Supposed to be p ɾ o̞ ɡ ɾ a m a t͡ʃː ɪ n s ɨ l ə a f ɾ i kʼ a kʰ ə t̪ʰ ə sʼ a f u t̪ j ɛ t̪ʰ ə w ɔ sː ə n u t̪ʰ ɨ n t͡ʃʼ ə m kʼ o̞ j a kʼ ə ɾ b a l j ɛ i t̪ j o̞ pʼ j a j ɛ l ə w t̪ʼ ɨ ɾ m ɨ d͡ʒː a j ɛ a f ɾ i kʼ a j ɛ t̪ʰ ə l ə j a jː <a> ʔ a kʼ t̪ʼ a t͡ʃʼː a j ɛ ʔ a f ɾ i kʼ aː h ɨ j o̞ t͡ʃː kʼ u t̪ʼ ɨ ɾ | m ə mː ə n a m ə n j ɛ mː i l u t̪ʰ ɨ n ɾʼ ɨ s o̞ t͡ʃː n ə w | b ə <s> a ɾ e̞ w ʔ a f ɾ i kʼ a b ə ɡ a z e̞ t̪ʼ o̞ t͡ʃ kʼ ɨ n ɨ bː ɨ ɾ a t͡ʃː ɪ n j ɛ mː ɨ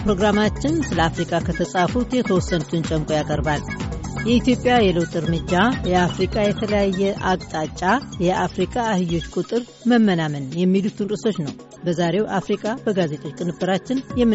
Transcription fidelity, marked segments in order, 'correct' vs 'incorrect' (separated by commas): incorrect, incorrect